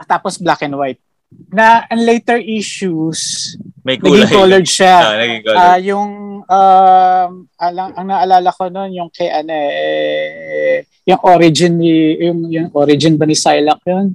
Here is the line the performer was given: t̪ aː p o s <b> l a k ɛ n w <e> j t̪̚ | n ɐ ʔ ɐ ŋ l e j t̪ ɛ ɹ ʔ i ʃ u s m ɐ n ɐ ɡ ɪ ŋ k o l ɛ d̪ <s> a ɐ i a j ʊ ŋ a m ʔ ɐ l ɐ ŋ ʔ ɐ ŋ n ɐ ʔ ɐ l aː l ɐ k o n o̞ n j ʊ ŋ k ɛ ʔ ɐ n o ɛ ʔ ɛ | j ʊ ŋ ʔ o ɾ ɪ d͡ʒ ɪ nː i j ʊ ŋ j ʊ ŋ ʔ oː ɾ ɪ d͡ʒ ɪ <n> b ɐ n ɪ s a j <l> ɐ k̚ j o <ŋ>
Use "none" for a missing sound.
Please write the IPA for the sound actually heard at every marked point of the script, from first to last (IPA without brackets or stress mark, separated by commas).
b, a, ʃ, n, l, n